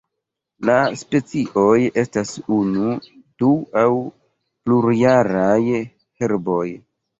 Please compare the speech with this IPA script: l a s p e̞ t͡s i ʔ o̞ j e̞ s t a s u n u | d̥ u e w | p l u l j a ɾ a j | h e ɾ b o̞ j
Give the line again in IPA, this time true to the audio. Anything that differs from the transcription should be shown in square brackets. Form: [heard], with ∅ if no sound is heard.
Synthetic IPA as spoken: l a s p e̞ t͡s i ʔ o̞ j e̞ s t a s u n u | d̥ u [a] w | p l u [ɾ] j a ɾ a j | h e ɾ b o̞ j